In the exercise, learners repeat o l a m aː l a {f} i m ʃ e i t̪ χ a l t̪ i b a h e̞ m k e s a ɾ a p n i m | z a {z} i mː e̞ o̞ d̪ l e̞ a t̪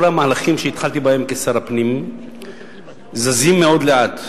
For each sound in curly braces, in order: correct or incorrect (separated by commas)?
incorrect, correct